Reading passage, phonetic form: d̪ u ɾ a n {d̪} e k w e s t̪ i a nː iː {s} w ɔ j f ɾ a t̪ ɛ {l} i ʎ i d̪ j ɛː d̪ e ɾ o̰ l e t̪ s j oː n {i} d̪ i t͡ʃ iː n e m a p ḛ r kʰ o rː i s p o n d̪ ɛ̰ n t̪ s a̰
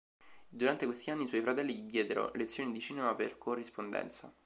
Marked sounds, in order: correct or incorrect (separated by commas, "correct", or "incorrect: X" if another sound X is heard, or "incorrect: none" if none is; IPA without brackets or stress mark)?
incorrect: t̪, correct, incorrect: lː, correct